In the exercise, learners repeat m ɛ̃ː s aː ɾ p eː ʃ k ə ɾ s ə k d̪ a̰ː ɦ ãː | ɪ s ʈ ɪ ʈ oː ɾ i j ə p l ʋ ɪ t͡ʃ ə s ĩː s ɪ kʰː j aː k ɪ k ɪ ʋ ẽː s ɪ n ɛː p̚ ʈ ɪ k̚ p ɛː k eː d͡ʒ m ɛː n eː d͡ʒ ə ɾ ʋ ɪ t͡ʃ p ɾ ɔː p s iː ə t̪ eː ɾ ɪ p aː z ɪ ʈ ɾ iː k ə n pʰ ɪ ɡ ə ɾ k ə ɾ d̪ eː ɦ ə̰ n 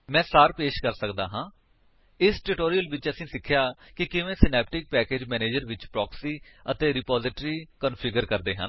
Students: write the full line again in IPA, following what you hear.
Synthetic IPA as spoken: m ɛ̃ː s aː ɾ p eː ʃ k ə ɾ s ə k d̪ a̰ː ɦ ãː | ɪ s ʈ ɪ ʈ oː ɾ i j ə l ʋ ɪ t͡ʃ ə s ĩː s ɪ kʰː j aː k ɪ k ɪ ʋ ẽː s ɪ n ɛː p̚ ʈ ɪ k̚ p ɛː k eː d͡ʒ m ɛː n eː d͡ʒ ə ɾ ʋ ɪ t͡ʃ p ɾ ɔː k s iː ə t̪ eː ɾ ɪ p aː z ɪ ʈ ɾ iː k ə n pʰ ɪ ɡ ə ɾ k ə ɾ d̪ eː ɦ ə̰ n